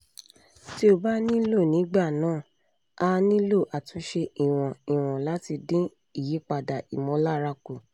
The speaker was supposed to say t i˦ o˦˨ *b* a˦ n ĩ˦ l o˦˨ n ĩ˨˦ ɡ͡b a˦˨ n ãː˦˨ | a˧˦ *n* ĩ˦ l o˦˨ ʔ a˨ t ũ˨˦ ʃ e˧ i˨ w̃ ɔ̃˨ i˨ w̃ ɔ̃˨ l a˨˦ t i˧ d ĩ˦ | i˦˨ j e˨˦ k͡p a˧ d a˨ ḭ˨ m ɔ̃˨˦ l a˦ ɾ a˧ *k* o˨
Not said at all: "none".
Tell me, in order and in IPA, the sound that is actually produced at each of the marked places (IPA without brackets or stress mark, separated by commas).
b, n, k